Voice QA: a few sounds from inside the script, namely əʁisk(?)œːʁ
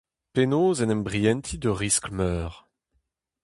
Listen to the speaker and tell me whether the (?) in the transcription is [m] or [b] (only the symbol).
m